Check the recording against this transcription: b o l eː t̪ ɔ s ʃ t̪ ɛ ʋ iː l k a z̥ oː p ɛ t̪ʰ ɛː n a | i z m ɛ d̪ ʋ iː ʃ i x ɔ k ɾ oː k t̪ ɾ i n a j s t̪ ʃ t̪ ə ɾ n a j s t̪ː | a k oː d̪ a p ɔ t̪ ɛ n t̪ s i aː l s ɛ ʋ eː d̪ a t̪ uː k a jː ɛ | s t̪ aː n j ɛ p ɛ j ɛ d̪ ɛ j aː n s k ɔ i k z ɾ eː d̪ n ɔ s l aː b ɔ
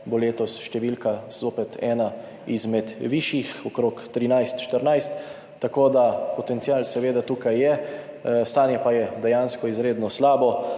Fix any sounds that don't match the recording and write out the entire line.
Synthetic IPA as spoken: b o l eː t̪ ɔ s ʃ t̪ ɛ ʋ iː l k a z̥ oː p ɛ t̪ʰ ɛː n a | i z m ɛ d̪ ʋ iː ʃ i x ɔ k ɾ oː k t̪ ɾ i n a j s t̪ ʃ t̪ ə ɾ n a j s t̪ː | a k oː d̪ a p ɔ t̪ ɛ n t̪ s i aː l s ɛ ʋ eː d̪ a t̪ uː k a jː ɛ | s t̪ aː n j ɛ p a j ɛ d̪ ɛ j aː n s k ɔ i z ɾ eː d̪ n ɔ s l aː b ɔ